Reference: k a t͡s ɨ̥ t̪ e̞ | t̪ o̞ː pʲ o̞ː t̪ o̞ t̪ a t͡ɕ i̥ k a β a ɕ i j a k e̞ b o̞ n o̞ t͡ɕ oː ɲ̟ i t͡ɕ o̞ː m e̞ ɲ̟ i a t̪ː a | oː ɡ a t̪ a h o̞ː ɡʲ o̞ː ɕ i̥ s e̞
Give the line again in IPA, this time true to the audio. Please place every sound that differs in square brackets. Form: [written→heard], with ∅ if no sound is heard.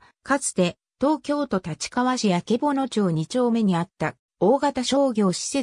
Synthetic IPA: k a t͡s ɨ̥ t̪ e̞ | t̪ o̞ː [pʲ→kʲ] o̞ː t̪ o̞ t̪ a t͡ɕ i̥ k a β a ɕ i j a k e̞ b o̞ n o̞ t͡ɕ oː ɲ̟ i t͡ɕ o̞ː m e̞ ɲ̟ i a t̪ː a | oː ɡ a t̪ a [h→ɕ] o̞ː ɡʲ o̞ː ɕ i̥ s e̞